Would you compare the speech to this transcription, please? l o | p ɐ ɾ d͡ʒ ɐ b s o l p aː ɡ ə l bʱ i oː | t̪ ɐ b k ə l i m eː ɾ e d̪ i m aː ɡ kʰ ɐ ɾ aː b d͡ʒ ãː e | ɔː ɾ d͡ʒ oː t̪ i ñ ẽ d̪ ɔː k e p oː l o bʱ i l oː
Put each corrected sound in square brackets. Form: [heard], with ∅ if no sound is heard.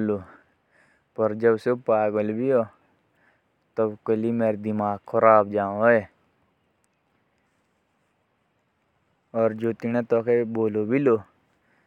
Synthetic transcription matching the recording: l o | p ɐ ɾ d͡ʒ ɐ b s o [∅] p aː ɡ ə l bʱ i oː | t̪ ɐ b k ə l i m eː ɾ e d̪ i m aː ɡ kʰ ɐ ɾ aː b d͡ʒ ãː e | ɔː ɾ d͡ʒ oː t̪ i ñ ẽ [t̪] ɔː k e [b] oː l o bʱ i l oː